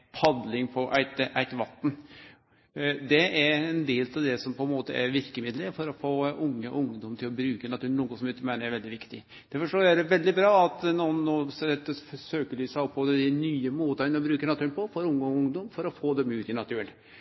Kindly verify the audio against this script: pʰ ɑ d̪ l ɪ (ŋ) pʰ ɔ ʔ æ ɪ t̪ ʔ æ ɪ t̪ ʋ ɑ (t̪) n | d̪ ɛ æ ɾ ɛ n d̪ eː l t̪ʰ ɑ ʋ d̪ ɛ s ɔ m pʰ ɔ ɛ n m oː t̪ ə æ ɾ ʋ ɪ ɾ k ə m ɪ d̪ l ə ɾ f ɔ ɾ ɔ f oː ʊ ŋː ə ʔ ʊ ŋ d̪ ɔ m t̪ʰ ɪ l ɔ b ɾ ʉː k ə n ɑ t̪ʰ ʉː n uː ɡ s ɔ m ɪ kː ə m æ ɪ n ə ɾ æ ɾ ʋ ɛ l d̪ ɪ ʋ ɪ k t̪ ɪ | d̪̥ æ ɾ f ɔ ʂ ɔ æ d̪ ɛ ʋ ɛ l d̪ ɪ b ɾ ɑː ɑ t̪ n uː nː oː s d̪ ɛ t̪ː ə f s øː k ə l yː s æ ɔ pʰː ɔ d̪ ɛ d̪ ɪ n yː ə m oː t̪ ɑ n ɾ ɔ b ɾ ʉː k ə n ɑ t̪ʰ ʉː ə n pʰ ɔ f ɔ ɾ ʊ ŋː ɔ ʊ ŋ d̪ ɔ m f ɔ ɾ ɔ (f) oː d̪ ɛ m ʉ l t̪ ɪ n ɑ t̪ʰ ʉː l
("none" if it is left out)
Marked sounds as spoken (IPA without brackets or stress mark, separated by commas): ŋ, t̪, f